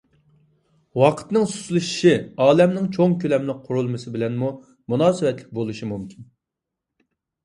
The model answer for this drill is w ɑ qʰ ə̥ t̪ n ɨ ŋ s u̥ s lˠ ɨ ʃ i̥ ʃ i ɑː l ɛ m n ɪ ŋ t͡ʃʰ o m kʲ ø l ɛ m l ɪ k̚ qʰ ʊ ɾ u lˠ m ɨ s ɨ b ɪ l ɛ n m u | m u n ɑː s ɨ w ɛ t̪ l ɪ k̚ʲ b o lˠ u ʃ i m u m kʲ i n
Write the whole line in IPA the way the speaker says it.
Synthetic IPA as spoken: w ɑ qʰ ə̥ t̪ n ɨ ŋ s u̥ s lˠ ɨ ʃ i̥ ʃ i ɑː l ɛ m n ɪ ŋ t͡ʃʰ o ŋ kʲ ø l ɛ m l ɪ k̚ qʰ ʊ ɾ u lˠ m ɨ s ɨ b ɪ l ɛ n m u | m u n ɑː s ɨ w ɛ t̪ l ɪ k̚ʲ b o lˠ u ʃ i m u m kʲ i n